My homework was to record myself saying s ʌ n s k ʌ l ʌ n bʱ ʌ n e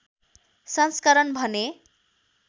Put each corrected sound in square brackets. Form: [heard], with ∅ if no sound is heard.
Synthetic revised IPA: s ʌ n s k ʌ [ɾ] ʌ n bʱ ʌ n e

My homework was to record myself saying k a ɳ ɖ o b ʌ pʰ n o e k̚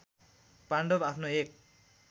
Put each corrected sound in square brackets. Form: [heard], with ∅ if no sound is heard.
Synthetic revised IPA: [p] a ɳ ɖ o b [a] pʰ n o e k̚

